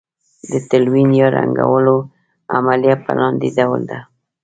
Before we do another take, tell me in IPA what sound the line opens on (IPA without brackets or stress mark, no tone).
d̪